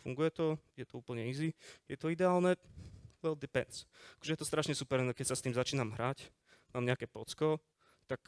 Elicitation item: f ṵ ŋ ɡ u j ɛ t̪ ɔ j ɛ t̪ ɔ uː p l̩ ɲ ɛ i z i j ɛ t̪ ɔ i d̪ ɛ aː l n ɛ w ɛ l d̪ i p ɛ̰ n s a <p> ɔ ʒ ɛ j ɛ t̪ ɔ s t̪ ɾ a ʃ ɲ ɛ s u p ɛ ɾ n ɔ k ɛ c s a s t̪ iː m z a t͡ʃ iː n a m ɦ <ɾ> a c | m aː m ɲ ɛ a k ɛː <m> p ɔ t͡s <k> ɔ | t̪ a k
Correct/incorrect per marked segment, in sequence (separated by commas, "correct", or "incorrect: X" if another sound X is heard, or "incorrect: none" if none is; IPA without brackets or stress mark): incorrect: k, correct, incorrect: none, correct